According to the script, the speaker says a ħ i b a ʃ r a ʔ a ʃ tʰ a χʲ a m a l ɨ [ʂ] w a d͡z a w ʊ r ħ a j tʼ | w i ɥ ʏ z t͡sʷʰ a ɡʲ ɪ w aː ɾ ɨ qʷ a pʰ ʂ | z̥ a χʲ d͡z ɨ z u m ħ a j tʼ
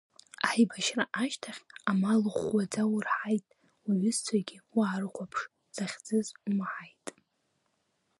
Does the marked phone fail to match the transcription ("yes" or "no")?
yes